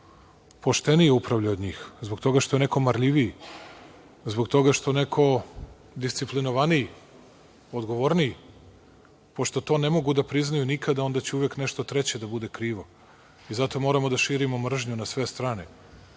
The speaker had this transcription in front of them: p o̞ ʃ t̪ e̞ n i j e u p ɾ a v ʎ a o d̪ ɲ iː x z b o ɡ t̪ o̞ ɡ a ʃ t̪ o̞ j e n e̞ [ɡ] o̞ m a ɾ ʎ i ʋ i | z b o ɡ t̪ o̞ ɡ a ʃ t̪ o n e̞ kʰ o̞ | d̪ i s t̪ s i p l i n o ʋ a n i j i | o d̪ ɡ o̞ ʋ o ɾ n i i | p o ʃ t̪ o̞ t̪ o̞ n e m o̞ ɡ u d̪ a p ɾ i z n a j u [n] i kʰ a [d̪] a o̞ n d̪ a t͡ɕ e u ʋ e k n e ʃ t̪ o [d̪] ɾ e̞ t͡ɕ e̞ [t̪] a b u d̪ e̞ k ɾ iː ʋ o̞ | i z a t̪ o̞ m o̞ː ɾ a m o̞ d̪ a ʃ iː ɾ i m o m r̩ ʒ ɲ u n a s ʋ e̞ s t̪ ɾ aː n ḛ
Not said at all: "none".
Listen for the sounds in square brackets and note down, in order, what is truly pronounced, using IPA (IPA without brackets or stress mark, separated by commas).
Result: k, n, d̪, t̪, d̪